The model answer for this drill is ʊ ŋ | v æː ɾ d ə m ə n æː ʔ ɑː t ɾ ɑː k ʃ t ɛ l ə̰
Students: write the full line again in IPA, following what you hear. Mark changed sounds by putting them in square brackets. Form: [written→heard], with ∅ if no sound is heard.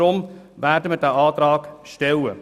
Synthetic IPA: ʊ [ŋ→m] | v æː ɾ d ə m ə [n→d] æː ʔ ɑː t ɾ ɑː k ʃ t ɛ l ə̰